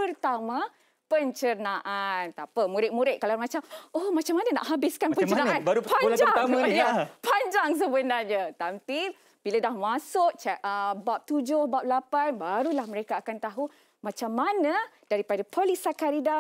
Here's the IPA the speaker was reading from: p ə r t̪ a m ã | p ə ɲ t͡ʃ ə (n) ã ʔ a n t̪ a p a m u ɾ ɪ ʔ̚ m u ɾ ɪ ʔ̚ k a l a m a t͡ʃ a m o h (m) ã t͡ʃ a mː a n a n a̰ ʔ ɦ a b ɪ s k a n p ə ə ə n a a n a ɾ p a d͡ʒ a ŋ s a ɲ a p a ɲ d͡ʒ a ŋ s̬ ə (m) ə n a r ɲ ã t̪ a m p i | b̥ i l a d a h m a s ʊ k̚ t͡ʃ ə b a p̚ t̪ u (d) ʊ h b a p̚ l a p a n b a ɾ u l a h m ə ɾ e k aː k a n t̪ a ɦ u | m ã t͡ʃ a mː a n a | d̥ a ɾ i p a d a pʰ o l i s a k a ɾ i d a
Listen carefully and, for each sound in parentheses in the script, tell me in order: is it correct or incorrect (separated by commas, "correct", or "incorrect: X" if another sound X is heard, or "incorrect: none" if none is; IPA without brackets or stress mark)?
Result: correct, correct, incorrect: b, incorrect: d͡ʒ